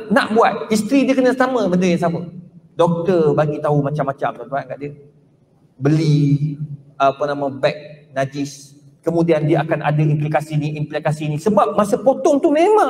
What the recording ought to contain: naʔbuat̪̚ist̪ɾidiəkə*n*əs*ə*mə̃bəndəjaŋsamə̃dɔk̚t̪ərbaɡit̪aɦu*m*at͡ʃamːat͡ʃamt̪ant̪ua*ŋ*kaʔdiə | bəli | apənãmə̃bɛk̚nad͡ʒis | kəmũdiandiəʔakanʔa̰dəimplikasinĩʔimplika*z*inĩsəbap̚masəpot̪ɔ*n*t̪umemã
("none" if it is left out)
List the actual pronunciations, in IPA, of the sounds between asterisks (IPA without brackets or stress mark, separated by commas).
n, a, m, n, s, ŋ